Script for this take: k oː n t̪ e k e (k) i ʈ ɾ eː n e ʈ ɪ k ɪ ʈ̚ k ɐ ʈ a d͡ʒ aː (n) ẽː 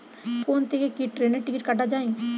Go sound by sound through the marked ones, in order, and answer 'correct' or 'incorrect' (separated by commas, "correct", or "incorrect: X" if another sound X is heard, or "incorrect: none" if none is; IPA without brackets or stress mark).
correct, incorrect: none